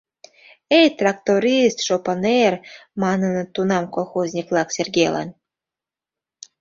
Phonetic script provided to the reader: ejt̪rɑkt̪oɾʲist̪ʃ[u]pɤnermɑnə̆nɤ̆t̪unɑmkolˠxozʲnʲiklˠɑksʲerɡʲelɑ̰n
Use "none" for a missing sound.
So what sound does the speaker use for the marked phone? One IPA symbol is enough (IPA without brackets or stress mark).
o